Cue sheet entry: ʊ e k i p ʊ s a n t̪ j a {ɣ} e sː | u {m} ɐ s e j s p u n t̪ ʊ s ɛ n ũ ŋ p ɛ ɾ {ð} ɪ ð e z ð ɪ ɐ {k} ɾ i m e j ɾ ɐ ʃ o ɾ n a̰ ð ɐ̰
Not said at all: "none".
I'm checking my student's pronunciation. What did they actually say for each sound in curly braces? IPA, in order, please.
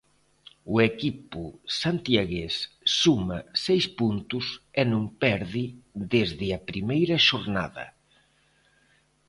ɣ, m, ð, p

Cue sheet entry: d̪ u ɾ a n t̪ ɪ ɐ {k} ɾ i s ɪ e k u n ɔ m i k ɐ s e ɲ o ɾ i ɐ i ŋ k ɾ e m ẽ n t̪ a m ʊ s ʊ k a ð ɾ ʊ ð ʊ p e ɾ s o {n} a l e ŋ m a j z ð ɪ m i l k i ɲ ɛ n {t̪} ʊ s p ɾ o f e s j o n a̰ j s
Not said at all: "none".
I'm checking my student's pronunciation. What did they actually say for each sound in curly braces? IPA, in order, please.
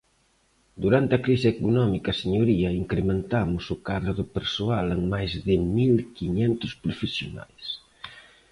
k, none, t̪

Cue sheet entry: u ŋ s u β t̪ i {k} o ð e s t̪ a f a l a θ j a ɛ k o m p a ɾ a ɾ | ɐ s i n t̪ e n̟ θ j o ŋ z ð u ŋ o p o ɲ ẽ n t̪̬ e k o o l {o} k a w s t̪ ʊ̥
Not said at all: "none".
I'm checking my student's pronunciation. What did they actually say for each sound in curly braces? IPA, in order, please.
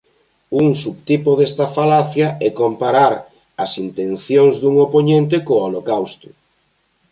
p, o

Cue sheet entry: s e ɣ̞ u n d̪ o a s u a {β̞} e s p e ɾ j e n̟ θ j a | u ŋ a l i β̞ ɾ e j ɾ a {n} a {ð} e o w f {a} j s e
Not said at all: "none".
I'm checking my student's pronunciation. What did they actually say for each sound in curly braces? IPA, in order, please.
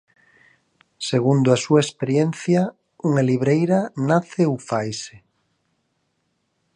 none, n, θ, a

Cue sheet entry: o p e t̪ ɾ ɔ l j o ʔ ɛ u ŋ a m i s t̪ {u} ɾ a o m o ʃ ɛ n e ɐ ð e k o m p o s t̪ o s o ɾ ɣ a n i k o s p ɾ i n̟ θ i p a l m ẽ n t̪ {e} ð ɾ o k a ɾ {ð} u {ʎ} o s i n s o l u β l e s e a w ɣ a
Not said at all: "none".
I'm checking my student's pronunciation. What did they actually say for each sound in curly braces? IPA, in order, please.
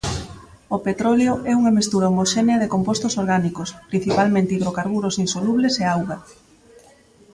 u, i, ɣ, ɾ

